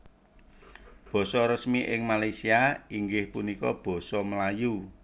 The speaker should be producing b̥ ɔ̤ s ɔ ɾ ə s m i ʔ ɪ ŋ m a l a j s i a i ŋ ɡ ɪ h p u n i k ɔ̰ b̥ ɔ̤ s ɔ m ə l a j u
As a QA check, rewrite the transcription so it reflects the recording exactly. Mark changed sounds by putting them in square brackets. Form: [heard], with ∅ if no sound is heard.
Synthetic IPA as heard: b̥ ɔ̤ s ɔ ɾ ə s m i ʔ ɪ ŋ m a l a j s i a i ŋ ɡ ɪ h p u n i k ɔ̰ b̥ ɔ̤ s ɔ m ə l a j u